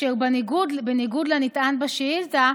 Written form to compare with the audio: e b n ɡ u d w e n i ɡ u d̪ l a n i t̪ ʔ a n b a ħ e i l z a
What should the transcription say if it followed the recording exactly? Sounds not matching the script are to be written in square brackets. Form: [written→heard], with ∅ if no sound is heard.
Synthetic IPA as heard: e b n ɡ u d [w→b] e n i ɡ u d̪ l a n i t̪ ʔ a n b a [ħ→ʃ] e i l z a